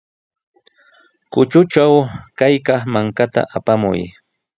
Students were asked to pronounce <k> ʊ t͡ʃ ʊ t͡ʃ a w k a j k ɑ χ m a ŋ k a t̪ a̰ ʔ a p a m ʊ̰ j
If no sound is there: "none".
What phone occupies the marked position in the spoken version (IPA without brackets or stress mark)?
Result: k